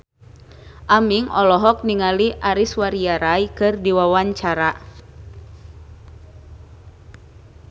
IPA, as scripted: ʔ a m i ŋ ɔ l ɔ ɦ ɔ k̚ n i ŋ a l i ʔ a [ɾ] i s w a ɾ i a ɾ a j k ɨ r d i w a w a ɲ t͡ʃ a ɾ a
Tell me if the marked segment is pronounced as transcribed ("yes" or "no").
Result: yes